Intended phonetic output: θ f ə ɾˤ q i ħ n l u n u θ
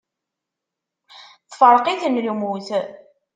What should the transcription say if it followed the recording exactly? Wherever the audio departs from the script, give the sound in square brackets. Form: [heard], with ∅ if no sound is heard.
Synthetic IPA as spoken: θ f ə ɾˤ q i [θ] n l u [m] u θ